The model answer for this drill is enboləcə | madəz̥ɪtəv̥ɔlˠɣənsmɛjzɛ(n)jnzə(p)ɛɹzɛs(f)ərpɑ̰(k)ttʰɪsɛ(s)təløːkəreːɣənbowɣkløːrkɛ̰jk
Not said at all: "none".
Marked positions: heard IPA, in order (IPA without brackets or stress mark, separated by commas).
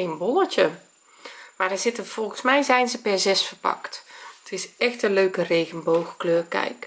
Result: none, p, f, k, x